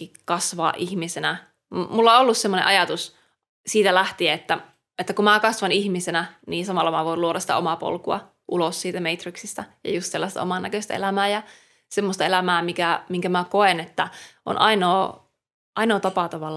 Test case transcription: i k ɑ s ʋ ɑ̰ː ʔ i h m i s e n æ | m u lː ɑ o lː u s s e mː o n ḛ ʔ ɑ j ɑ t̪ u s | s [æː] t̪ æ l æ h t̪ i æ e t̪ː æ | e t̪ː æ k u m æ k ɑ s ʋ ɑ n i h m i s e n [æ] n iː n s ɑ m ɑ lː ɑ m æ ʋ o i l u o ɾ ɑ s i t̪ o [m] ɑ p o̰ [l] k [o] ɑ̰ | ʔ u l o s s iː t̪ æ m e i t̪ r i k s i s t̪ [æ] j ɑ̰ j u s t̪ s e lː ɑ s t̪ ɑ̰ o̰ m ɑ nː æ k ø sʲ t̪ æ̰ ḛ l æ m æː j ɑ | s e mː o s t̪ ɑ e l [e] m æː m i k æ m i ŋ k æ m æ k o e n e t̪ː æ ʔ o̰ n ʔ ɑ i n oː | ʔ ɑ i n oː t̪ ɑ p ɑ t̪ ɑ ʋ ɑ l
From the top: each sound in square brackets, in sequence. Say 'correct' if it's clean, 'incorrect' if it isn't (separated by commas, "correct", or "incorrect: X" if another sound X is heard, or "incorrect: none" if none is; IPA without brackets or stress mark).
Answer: incorrect: iː, correct, correct, correct, incorrect: u, correct, incorrect: æ